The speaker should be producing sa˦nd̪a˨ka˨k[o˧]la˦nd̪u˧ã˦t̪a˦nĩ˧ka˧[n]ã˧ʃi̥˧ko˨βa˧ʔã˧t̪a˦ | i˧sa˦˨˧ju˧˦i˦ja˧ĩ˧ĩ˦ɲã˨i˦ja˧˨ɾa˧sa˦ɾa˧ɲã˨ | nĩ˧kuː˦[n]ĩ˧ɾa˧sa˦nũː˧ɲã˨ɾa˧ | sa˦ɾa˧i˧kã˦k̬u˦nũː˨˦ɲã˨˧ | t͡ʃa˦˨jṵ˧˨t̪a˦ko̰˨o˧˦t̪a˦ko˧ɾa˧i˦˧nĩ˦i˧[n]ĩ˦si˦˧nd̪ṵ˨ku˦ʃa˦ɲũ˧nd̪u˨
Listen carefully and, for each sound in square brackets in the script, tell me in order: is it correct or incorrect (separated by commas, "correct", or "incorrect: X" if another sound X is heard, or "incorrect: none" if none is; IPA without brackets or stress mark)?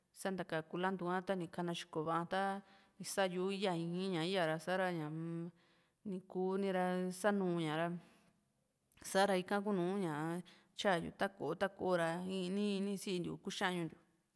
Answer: incorrect: u˧, correct, correct, correct